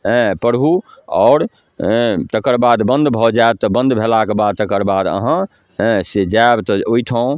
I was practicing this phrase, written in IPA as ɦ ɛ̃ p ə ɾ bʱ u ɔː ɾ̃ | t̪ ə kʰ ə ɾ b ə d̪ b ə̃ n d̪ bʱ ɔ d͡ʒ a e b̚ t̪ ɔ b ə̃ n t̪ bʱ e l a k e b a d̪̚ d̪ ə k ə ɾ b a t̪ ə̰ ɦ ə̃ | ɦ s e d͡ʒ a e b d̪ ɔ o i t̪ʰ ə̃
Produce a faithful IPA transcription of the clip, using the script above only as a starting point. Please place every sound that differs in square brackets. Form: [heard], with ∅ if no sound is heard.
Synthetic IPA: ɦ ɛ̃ p ə ɾ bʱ u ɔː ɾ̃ | t̪ ə [k] ə ɾ b [a] d̪ b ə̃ n d̪ bʱ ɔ d͡ʒ a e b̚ t̪ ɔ b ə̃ n [d̪] bʱ e l a k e b a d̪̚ [t̪] ə k ə ɾ b a [d̪] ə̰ ɦ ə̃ | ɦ s e d͡ʒ a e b [t̪] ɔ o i t̪ʰ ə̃